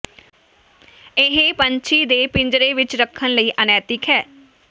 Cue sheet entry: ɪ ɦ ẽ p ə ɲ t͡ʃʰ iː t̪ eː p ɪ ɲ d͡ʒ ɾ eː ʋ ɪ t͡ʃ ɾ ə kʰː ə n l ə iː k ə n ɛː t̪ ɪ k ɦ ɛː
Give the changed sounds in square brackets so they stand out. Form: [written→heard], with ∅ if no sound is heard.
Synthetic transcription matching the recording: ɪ ɦ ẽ p ə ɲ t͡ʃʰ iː [t̪→d̪] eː p ɪ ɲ d͡ʒ ɾ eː ʋ ɪ t͡ʃ ɾ ə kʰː ə n l ə iː [k→ʔ] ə n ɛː t̪ ɪ k ɦ ɛː

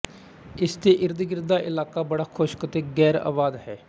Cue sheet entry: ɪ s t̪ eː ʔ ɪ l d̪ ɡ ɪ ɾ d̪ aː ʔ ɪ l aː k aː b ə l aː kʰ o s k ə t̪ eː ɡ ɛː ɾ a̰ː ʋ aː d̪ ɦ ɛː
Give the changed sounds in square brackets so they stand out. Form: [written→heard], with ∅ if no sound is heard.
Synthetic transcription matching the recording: ɪ s t̪ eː ʔ ɪ [l→ɾ] d̪ ɡ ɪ ɾ d̪ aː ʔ ɪ l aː k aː b ə [l→ɽ] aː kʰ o [s→ʃ] k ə t̪ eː ɡ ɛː ɾ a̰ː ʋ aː d̪ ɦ ɛː

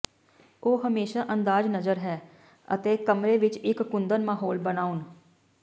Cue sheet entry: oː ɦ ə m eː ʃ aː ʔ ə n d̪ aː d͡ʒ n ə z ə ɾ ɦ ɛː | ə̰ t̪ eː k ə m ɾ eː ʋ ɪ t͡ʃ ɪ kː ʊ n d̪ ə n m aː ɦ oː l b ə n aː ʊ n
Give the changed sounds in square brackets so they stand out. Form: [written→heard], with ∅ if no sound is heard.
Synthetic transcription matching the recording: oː ɦ ə m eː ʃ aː ʔ ə n d̪ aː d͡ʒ n ə z ə ɾ ɦ ɛː | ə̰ t̪ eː k ə m ɾ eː ʋ ɪ t͡ʃ ɪ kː ʊ n d̪ ə n m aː ɦ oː l b ə n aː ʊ n

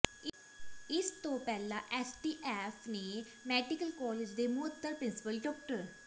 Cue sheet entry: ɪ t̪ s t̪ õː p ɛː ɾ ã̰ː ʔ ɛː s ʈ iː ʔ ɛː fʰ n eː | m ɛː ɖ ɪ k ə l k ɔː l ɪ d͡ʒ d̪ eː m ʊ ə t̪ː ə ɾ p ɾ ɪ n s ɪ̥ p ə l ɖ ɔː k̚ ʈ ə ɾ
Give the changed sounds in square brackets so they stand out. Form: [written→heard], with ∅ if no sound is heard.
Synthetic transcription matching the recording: ɪ [t̪→∅] s t̪ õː p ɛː [ɾ→l] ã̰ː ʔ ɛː s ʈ iː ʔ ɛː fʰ n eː | m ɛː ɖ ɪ k ə l k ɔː l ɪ d͡ʒ d̪ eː m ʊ ə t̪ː ə ɾ p ɾ ɪ n s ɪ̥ p ə l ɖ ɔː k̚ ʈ ə ɾ

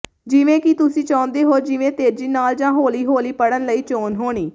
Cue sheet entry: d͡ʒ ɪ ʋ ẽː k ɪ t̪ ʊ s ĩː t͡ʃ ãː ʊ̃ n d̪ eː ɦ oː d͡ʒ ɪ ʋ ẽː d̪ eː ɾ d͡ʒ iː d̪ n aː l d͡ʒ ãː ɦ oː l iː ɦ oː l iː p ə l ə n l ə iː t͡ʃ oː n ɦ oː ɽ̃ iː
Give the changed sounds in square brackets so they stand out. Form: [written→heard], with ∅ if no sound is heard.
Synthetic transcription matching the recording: d͡ʒ ɪ ʋ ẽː k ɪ t̪ ʊ s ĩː t͡ʃ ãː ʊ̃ n d̪ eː ɦ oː d͡ʒ ɪ ʋ ẽː [d̪→t̪] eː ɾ d͡ʒ iː [d̪→∅] n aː l d͡ʒ ãː ɦ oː l iː ɦ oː l iː p ə [l→ɽ] ə n l ə iː t͡ʃ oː n ɦ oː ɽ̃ iː

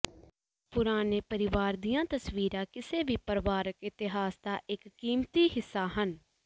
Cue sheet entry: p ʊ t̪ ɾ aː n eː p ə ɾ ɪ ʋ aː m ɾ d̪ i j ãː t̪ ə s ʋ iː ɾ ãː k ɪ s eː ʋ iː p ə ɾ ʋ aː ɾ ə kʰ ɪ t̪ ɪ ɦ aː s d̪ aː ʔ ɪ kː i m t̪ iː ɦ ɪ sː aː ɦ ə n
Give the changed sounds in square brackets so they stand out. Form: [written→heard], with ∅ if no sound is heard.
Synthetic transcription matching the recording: p ʊ [t̪→∅] ɾ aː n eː p ə ɾ ɪ ʋ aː [m→∅] ɾ d̪ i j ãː t̪ ə s ʋ iː ɾ ãː k ɪ s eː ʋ iː p ə ɾ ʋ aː ɾ ə [kʰ→k] ɪ t̪ ɪ ɦ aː s d̪ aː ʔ ɪ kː [i→iː] m t̪ iː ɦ ɪ sː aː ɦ ə n

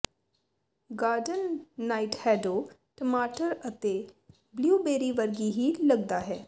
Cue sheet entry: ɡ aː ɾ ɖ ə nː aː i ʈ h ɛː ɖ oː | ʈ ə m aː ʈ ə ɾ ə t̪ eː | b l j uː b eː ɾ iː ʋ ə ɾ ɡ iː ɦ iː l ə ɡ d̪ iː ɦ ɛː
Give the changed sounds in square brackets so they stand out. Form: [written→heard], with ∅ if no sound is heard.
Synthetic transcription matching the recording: ɡ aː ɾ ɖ ə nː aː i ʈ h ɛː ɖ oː | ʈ ə m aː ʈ ə ɾ ə t̪ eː | b l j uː b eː ɾ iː ʋ ə ɾ ɡ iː ɦ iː l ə ɡ d̪ [iː→aː] ɦ ɛː

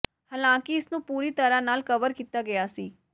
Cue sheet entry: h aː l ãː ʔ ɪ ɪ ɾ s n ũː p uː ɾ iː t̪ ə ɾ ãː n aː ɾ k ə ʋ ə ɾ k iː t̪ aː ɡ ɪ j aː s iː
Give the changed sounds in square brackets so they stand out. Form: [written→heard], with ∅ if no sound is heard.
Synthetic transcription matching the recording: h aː l ãː [ʔ→k] ɪ ɪ [ɾ→∅] s n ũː p uː ɾ iː t̪ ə ɾ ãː n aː [ɾ→l] k ə ʋ ə ɾ k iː t̪ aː ɡ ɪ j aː s iː

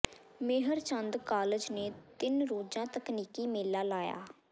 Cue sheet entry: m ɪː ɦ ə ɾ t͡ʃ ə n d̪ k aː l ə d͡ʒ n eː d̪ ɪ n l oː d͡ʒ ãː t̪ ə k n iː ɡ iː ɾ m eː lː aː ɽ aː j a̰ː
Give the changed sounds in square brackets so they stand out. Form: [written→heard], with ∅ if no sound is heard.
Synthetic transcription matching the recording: m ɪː ɦ ə ɾ t͡ʃ ə n d̪ k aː l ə d͡ʒ n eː [d̪→t̪] ɪ n [l→ɾ] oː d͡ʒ ãː t̪ ə k n iː [ɡ→k] iː [ɾ→∅] m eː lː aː [ɽ→l] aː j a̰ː

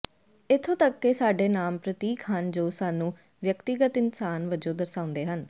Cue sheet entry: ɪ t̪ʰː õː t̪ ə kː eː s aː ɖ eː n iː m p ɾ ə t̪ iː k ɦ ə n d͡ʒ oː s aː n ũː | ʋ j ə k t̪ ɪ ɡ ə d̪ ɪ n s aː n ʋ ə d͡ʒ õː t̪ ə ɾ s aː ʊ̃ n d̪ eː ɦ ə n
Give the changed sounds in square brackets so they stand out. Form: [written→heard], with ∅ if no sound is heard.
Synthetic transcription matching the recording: ɪ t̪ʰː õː t̪ ə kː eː s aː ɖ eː n [iː→aː] m p ɾ ə t̪ iː k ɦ ə n d͡ʒ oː s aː n ũː | ʋ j ə k t̪ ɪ ɡ ə [d̪→t̪] ɪ n s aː n ʋ ə d͡ʒ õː [t̪→d̪] ə ɾ s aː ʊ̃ n d̪ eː ɦ ə n

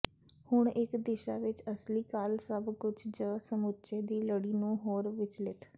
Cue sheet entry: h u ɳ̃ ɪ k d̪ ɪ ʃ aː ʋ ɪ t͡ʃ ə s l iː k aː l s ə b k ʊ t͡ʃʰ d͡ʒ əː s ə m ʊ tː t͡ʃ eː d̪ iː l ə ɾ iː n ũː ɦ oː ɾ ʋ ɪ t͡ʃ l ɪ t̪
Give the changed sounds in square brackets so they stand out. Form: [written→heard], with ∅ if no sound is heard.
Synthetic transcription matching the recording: h [u→ʊ] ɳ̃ ɪ k d̪ ɪ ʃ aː ʋ ɪ t͡ʃ ə s l iː k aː l s ə b k ʊ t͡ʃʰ d͡ʒ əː s ə m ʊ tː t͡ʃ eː d̪ iː l ə [ɾ→ɽ] iː n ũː ɦ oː ɾ ʋ ɪ t͡ʃ l ɪ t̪

